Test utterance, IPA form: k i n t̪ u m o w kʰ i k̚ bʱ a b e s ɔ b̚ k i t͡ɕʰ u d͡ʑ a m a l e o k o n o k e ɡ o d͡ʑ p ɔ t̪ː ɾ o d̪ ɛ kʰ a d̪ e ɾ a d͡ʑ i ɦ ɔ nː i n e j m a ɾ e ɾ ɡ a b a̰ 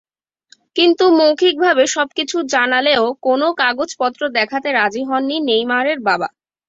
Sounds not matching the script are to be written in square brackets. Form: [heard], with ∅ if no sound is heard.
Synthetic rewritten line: k i n t̪ u m o w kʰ i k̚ bʱ a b e [ʃ] ɔ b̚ k i t͡ɕʰ u d͡ʑ a [n] a l e o k o n o k [a] ɡ o d͡ʑ p ɔ t̪ː ɾ o d̪ ɛ kʰ a [t̪] e ɾ a d͡ʑ i ɦ ɔ nː i n e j m a ɾ e ɾ [b] a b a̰